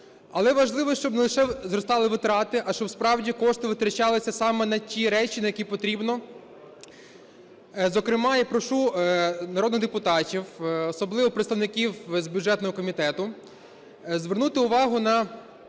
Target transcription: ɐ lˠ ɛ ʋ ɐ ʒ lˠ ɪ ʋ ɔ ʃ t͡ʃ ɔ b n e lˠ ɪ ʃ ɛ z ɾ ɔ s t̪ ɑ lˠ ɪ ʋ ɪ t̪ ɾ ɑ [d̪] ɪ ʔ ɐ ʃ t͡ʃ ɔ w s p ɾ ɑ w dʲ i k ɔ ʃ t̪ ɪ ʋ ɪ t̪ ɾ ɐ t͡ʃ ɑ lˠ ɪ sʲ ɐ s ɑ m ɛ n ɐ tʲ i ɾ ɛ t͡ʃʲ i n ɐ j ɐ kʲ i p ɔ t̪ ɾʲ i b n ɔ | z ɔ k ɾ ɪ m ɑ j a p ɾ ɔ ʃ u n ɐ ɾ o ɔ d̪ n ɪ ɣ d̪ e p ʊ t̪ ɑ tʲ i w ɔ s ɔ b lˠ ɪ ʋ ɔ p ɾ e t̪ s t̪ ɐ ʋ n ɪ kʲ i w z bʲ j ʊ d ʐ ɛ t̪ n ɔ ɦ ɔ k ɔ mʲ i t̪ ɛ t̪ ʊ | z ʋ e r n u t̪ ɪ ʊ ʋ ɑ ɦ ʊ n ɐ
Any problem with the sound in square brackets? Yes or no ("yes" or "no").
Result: yes